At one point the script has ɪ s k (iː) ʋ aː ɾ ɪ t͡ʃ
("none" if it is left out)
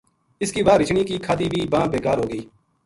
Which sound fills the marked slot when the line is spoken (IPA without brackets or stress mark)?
iː